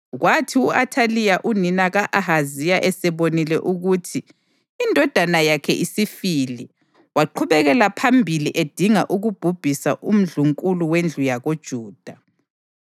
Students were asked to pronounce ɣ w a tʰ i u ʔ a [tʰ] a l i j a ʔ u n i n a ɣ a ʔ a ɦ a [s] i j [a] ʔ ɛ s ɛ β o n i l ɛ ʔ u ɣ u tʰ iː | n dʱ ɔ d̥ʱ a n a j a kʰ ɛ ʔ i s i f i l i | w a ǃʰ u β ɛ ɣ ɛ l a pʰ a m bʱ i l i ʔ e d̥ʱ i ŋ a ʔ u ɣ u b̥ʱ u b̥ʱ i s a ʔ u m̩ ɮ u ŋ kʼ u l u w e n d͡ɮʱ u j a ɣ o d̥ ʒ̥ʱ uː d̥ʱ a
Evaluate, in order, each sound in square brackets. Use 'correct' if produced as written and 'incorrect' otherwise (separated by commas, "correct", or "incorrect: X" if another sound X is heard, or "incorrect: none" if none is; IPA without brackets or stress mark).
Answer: correct, incorrect: z, correct